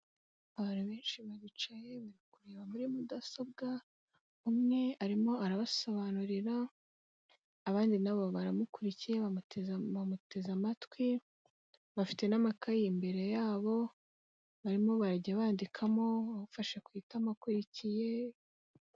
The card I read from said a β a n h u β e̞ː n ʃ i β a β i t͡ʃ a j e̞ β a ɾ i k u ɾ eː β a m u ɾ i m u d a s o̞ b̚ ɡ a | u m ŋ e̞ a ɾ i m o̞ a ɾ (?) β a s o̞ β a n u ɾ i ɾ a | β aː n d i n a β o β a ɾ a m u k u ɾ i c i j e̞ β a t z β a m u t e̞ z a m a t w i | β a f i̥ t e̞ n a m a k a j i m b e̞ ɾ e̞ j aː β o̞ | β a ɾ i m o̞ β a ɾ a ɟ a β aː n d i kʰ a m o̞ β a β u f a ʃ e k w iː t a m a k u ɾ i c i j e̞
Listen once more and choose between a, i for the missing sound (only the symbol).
a